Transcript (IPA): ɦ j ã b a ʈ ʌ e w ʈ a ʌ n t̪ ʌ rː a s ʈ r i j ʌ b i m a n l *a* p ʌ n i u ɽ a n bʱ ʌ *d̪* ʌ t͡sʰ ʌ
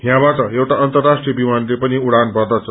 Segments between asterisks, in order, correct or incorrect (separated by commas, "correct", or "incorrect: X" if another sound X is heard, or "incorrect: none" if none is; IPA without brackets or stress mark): incorrect: e, correct